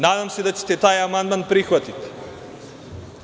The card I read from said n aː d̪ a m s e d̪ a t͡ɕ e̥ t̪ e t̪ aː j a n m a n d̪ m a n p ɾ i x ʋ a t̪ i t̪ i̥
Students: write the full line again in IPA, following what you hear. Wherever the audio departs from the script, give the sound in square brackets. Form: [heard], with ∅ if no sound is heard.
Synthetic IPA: n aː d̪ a m s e d̪ a t͡ɕ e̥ t̪ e t̪ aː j a [∅] m a n d̪ m a n p ɾ i x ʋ a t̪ i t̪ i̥